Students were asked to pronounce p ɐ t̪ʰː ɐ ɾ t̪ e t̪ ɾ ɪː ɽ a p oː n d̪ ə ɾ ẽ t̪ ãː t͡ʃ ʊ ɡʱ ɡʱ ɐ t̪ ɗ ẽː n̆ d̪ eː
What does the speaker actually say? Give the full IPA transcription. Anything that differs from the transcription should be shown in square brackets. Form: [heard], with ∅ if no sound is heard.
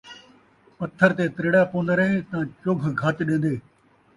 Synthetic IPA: p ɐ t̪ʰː [ə] ɾ t̪ e t̪ ɾ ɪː ɽ a p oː n d̪ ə ɾ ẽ t̪ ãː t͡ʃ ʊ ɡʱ ɡʱ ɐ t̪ ɗ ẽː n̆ d̪ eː